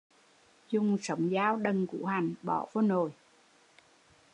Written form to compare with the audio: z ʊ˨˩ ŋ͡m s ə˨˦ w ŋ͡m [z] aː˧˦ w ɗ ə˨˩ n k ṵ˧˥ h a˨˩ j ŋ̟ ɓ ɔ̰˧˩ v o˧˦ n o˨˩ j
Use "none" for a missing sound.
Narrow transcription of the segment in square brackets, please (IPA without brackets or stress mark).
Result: z